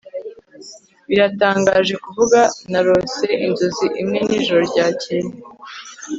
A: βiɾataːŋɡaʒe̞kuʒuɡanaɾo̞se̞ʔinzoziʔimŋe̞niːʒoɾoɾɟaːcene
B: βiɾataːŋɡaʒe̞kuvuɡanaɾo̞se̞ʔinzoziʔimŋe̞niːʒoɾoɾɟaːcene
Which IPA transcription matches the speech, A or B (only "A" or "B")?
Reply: B